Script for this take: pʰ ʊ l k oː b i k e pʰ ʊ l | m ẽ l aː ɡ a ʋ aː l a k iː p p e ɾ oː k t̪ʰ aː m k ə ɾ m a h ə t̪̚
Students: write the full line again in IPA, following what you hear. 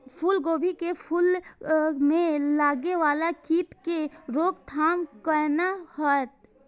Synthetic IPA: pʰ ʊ l ɡ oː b i k e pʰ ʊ l | m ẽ l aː ɡ e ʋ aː l a k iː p k e ɾ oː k t̪ʰ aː m k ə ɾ n a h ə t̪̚